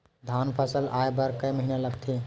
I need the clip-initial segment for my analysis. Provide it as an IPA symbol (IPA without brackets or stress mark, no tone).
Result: d̪ʱ